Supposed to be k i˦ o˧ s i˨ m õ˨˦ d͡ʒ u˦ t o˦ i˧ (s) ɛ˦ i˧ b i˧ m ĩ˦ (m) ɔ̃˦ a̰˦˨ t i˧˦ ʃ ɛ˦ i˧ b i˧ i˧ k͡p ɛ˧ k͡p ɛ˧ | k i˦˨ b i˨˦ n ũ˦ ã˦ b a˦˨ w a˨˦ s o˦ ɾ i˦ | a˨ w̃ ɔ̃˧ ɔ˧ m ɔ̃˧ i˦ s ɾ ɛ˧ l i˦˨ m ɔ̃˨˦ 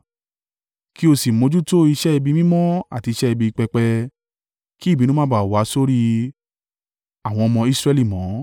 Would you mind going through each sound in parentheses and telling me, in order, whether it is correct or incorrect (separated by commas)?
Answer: incorrect, correct